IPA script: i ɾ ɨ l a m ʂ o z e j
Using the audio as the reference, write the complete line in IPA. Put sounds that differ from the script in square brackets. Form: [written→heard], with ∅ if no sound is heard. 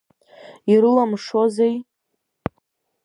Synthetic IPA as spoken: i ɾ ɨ l a m ʂ o z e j